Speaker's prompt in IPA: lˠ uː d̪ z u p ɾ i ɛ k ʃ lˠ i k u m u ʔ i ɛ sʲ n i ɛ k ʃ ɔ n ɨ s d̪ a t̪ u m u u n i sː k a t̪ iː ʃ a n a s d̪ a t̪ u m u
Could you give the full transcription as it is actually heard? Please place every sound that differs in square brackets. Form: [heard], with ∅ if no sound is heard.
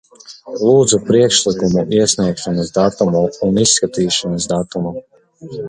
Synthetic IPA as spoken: lˠ uː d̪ z u p ɾ i ɛ k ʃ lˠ i k u m u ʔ i ɛ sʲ n i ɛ k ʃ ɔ n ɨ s d̪ a t̪ u m u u n i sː k a t̪ iː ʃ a n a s d̪ a t̪ u m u